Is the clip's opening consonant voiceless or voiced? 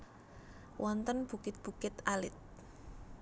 voiced